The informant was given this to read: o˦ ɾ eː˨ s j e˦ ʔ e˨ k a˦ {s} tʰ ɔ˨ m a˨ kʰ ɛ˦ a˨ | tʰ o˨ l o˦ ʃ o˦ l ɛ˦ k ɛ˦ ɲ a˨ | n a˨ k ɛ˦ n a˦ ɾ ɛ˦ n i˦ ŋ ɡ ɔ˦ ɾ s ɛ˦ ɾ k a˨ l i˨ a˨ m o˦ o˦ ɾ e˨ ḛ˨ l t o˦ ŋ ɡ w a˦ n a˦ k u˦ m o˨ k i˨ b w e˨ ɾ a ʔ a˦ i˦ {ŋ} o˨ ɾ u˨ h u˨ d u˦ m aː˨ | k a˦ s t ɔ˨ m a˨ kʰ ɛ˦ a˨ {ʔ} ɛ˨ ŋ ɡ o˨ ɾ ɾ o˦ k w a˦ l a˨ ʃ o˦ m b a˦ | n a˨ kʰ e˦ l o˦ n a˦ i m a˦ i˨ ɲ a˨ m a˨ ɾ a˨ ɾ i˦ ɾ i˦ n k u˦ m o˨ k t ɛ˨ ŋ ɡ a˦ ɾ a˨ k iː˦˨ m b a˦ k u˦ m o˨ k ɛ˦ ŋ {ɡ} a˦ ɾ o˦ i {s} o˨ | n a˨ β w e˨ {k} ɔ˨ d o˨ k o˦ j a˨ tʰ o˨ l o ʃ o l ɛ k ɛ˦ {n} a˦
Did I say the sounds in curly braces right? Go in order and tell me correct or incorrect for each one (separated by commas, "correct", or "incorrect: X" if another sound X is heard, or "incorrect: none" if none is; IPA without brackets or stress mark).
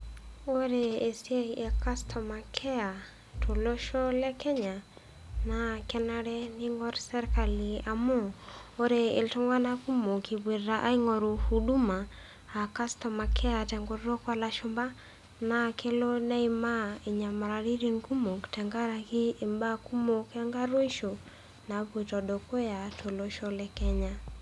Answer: correct, correct, incorrect: t, correct, incorrect: ʃ, incorrect: t, incorrect: ɲ